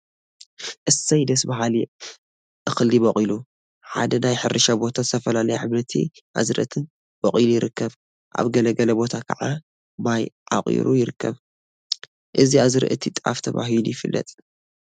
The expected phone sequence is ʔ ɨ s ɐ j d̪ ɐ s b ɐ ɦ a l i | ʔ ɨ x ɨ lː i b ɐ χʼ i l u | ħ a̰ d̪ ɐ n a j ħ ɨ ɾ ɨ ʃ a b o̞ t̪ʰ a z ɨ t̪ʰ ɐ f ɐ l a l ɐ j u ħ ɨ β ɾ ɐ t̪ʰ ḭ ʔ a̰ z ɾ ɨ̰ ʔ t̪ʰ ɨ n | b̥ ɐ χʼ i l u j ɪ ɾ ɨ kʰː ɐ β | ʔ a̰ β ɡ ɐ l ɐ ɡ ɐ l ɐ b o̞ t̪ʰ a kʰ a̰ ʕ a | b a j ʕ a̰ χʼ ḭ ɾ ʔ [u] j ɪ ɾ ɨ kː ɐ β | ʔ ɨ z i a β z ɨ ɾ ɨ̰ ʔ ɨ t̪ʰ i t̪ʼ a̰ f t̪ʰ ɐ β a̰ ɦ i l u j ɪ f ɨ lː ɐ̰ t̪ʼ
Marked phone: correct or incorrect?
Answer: correct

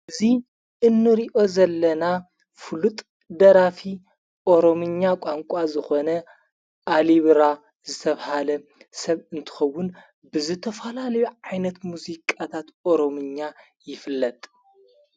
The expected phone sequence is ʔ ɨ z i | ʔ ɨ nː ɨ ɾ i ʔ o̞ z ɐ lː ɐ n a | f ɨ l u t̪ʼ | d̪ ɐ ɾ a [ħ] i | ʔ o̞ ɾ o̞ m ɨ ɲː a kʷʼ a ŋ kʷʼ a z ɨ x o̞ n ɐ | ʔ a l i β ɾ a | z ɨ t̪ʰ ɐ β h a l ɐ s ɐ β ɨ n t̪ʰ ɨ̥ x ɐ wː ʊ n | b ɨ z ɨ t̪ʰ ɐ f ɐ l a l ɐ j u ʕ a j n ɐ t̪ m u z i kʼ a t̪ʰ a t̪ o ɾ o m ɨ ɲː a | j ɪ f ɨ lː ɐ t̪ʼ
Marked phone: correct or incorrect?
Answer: incorrect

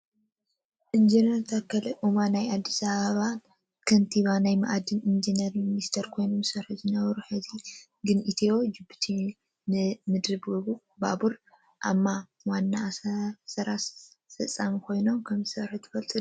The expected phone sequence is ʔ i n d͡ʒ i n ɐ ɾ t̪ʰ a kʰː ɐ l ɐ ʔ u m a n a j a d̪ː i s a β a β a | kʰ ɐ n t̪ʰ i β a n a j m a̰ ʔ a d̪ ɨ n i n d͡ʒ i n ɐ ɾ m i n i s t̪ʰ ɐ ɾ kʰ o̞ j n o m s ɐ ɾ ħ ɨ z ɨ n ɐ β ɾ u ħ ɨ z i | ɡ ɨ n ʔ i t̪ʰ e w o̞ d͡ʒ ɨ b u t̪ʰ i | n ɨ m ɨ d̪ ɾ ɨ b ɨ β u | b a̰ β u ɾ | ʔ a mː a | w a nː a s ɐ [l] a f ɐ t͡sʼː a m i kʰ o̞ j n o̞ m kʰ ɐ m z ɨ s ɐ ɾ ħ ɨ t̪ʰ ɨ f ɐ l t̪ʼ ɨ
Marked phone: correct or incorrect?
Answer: incorrect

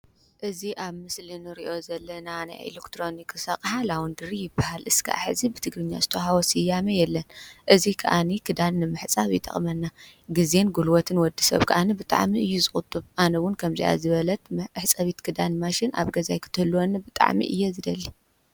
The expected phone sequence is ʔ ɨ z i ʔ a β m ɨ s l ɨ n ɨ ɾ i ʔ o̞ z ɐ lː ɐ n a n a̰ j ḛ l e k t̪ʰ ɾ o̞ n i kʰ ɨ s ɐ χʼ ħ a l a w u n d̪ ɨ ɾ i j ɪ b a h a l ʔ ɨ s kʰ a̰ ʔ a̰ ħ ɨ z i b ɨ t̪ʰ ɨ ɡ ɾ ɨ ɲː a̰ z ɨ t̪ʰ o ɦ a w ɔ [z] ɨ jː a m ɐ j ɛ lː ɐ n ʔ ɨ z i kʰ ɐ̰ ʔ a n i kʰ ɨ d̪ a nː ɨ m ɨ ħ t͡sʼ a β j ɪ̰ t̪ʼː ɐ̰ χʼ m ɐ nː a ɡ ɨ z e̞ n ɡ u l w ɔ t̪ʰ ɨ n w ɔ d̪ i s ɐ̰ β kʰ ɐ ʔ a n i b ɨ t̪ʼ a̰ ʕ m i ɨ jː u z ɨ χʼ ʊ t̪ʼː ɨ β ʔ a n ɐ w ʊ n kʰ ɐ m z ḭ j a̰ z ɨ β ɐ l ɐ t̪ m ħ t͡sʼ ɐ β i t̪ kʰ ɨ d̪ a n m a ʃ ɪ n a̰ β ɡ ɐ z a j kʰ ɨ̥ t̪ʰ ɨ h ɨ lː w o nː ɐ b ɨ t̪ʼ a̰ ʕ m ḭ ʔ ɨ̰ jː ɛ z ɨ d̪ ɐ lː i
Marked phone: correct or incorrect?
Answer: incorrect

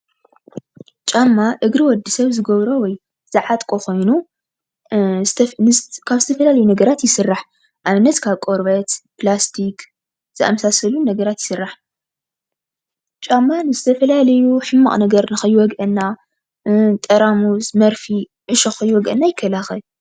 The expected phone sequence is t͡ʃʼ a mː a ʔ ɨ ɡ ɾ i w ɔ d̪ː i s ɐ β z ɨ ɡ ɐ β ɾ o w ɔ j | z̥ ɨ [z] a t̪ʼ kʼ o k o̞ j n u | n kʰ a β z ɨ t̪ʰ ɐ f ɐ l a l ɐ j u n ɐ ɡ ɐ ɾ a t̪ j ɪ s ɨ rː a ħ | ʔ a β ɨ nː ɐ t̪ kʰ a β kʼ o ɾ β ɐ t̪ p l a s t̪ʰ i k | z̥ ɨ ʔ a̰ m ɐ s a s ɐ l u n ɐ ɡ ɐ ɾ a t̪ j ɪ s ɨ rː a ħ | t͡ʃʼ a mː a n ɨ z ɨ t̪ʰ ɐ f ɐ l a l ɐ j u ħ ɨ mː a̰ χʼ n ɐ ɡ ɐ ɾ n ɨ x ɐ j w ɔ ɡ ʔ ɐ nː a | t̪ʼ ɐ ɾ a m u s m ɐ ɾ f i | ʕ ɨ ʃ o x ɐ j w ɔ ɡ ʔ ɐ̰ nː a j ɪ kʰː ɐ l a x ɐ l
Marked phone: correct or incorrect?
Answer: incorrect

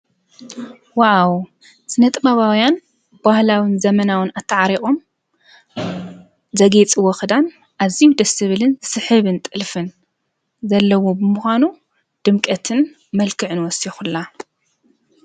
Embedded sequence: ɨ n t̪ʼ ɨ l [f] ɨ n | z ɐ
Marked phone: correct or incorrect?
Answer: correct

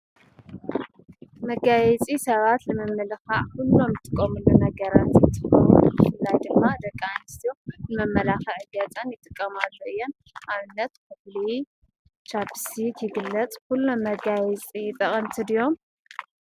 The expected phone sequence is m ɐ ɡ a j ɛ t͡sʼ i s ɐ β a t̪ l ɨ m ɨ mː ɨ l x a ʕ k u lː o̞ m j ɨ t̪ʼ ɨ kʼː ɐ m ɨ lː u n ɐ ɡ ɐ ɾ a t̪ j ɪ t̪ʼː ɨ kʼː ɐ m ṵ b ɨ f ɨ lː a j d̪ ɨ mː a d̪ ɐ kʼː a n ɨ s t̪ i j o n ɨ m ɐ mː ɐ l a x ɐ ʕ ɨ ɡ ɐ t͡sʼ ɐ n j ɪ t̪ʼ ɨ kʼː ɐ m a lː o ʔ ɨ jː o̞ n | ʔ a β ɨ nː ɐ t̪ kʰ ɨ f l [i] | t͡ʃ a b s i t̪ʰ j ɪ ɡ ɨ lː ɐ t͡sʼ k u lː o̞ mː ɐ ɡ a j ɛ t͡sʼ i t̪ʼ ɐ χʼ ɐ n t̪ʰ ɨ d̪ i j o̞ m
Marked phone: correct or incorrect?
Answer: correct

